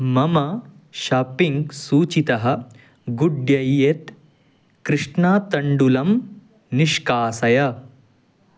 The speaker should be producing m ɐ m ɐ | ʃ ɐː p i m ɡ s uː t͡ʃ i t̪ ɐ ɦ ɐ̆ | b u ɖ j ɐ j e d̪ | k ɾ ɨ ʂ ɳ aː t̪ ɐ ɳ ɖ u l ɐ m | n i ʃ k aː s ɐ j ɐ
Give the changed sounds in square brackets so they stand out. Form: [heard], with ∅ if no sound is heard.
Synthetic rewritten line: m ɐ m ɐ | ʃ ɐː p i [ŋ] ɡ s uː t͡ʃ i t̪ ɐ ɦ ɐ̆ | [ɡ] u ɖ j ɐ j e [t̪] | k ɾ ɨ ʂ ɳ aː t̪ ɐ ɳ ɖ u l ɐ m | n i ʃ k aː s ɐ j ɐ